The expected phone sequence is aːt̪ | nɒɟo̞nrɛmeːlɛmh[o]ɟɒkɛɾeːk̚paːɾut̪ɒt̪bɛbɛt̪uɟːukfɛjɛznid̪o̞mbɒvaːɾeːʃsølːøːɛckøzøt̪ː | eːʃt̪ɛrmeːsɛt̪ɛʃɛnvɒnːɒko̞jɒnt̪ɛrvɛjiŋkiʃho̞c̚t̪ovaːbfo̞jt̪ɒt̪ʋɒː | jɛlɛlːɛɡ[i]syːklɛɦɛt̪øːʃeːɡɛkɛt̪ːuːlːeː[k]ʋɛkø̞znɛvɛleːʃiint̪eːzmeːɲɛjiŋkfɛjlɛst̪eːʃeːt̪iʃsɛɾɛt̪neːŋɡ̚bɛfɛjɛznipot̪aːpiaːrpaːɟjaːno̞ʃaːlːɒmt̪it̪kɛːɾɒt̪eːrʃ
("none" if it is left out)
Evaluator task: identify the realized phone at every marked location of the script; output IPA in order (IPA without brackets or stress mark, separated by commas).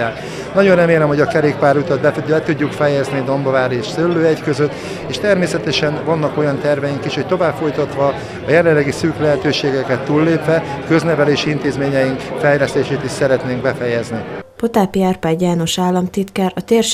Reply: o, i, p